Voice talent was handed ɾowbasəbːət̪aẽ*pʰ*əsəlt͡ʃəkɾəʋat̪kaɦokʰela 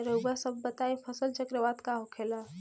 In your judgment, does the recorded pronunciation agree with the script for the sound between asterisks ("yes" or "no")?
yes